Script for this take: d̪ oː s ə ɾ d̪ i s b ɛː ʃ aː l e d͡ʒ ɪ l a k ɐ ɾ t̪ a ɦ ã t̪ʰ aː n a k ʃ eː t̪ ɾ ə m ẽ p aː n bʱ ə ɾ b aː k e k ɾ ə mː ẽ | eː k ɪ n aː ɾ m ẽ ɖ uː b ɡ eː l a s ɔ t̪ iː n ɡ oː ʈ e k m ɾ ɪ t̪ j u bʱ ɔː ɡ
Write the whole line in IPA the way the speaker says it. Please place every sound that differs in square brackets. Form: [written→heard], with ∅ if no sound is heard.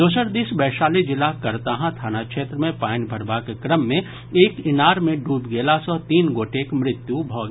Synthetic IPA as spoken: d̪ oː s ə ɾ d̪ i s b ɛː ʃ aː l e d͡ʒ ɪ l a k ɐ ɾ t̪ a ɦ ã t̪ʰ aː n a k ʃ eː t̪ ɾ ə m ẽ p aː n bʱ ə ɾ b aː k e k ɾ ə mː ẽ | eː k ɪ n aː ɾ m ẽ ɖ uː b ɡ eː l a s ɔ t̪ iː n ɡ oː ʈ e k m ɾ ɪ t̪ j u bʱ ɔː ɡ